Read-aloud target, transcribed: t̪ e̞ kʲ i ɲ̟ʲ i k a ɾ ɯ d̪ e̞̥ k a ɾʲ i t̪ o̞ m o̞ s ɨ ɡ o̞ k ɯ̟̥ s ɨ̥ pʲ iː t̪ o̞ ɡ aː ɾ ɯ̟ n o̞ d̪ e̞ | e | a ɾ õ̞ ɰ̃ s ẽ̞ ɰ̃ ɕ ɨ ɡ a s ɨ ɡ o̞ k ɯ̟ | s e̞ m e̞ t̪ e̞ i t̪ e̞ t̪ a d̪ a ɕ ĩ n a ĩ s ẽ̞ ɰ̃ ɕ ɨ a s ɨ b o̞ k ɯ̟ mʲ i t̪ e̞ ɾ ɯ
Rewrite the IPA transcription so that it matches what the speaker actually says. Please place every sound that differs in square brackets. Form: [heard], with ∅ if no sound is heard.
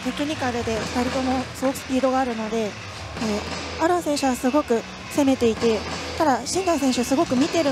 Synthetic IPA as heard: t̪ e̞ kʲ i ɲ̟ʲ i k a ɾ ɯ d̪ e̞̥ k a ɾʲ i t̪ o̞ m o̞ s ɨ ɡ o̞ k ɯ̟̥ s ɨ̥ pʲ iː [d̪] o̞ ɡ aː ɾ ɯ̟ n o̞ d̪ e̞ | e | a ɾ õ̞ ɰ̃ s ẽ̞ ɰ̃ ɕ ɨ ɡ a s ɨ ɡ o̞ k ɯ̟ | s e̞ m e̞ t̪ e̞ i t̪ e̞ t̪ a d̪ a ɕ ĩ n a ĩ s ẽ̞ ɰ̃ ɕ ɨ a s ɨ [ɡ] o̞ k ɯ̟ mʲ i t̪ e̞ ɾ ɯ